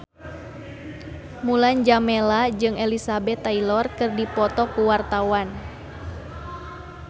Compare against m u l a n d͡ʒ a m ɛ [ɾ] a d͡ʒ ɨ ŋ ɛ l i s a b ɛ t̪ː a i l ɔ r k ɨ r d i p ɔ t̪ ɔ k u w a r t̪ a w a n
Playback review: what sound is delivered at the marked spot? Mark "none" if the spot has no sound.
l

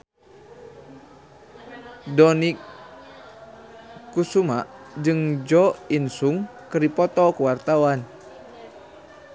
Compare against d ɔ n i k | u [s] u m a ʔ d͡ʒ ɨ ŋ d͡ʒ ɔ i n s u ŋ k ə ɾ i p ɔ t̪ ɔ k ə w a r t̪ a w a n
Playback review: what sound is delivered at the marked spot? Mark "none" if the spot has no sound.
s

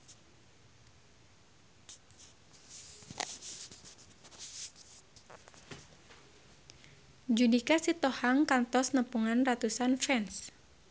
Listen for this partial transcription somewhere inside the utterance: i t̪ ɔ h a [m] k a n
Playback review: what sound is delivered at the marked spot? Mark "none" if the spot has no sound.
ŋ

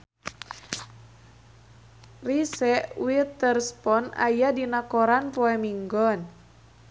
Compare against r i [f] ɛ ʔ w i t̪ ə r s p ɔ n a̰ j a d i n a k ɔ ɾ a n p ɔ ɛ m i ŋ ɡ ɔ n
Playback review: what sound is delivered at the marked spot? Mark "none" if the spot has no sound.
s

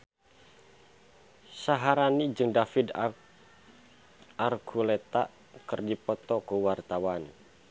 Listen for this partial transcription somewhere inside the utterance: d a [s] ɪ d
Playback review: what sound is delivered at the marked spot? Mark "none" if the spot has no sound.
f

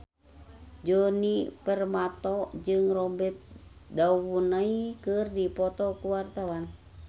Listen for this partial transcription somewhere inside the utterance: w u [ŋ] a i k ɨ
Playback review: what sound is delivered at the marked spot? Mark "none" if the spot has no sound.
n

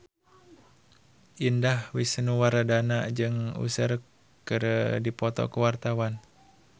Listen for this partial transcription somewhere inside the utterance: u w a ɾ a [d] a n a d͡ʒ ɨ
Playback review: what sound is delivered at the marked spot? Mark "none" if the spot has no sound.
d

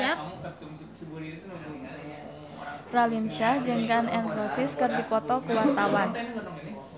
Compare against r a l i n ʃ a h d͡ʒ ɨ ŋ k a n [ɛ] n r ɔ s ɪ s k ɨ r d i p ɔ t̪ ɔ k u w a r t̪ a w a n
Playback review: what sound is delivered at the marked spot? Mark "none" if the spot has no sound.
ɛ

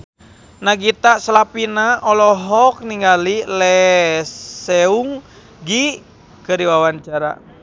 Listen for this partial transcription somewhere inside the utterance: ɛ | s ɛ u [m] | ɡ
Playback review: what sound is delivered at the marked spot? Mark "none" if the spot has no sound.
ŋ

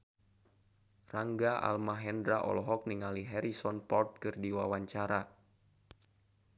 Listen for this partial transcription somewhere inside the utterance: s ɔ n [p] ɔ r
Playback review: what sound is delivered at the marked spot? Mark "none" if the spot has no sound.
p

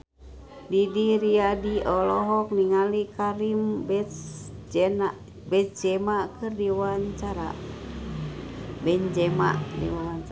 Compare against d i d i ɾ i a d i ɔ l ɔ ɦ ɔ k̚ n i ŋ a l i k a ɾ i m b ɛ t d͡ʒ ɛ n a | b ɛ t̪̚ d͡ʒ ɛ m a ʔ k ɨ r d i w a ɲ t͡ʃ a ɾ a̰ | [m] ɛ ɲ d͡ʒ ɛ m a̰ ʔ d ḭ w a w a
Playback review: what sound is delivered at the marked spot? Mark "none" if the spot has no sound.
b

